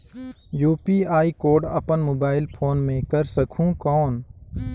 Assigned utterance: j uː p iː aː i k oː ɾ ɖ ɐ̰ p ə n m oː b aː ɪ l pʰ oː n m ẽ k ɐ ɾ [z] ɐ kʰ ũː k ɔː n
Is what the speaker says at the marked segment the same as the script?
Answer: no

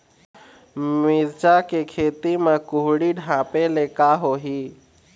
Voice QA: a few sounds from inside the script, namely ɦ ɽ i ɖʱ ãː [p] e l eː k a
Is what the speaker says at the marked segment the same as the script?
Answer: yes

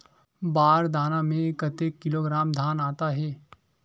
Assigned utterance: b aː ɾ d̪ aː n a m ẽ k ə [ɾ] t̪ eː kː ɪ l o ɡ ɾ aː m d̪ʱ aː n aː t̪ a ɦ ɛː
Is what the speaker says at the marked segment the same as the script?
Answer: no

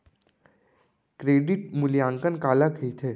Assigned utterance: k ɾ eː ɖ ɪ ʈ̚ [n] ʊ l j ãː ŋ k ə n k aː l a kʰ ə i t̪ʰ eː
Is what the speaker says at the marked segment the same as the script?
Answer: no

